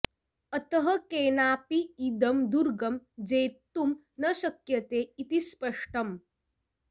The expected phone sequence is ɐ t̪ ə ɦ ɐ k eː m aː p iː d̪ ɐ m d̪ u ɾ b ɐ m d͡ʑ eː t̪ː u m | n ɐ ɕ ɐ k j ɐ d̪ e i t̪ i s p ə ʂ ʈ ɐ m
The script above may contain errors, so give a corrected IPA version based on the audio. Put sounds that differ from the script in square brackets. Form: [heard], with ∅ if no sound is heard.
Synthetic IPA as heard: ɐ t̪ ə ɦ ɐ k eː [n] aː p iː d̪ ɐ m d̪ u ɾ [ɡ] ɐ m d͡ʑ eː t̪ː u m | n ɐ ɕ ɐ k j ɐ [t̪] e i t̪ i s p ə ʂ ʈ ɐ m